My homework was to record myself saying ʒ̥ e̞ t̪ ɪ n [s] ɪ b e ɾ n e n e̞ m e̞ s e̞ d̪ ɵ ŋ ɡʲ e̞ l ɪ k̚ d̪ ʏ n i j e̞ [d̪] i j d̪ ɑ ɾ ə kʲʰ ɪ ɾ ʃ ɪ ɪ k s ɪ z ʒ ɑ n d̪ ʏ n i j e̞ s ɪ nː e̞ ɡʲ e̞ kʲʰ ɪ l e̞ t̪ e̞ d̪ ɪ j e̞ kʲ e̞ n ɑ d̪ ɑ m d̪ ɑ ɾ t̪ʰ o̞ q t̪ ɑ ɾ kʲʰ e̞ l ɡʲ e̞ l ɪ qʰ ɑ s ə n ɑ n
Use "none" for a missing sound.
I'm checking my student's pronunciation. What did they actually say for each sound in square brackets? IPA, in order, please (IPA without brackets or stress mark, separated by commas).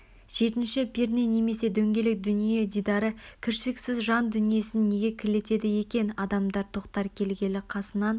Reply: ʃ, d̪